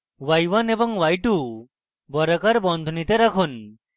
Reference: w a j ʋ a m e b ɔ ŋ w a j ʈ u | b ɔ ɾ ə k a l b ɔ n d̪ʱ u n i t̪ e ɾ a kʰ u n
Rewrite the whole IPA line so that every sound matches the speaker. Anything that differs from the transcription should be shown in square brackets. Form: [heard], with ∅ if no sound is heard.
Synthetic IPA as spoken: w a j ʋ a [n] e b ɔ ŋ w a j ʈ u | b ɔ ɾ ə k a [ɾ] b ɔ n d̪ʱ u n i t̪ e ɾ a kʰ u n